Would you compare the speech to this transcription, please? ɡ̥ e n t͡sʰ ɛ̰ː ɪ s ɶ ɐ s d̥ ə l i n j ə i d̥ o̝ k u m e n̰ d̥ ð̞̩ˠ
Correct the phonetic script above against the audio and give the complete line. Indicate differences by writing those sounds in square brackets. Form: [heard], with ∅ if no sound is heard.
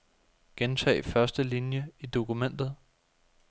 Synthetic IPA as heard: ɡ̥ e n t͡sʰ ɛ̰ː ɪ [f] ɶ ɐ s d̥ ə l i n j ə i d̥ o̝ k u m e n̰ d̥ ð̞̩ˠ